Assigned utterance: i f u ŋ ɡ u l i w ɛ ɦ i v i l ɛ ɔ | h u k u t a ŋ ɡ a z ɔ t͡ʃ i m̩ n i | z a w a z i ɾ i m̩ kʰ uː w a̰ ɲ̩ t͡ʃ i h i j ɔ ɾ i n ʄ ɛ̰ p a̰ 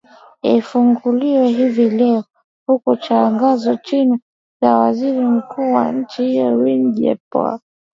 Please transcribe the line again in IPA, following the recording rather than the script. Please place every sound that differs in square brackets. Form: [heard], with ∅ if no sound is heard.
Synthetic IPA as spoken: i f u ŋ ɡ u l i w ɛ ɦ i v i l ɛ ɔ | h u k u [t͡ʃ] a ŋ ɡ a z ɔ t͡ʃ i [∅] n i | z a w a z i ɾ i m̩ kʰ uː w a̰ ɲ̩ t͡ʃ i h i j ɔ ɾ i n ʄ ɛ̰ p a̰